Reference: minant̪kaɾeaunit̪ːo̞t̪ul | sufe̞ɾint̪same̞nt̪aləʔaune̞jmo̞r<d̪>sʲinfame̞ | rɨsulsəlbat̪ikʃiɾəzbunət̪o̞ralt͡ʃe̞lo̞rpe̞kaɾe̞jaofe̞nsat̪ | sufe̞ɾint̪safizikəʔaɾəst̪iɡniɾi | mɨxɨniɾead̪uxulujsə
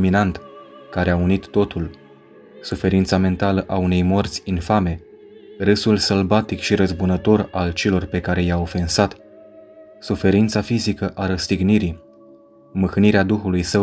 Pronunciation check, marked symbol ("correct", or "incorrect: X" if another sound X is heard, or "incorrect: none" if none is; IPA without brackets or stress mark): incorrect: t̪